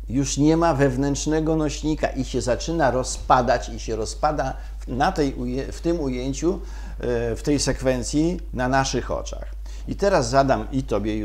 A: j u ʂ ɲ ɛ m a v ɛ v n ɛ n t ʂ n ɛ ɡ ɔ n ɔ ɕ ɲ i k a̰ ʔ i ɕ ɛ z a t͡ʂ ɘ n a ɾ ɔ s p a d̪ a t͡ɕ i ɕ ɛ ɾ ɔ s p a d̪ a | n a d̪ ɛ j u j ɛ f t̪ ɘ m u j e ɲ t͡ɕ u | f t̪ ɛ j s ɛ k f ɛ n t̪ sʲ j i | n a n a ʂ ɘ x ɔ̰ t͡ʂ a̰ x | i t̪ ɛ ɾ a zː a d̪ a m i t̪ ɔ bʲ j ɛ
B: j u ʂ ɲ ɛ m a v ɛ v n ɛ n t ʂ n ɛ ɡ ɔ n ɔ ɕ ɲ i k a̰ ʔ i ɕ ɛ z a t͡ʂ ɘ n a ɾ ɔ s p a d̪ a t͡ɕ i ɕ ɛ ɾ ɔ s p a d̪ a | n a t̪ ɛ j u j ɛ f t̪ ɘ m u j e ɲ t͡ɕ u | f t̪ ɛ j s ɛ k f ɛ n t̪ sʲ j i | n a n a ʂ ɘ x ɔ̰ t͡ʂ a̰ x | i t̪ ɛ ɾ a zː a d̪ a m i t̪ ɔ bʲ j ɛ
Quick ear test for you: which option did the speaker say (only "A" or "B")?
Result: B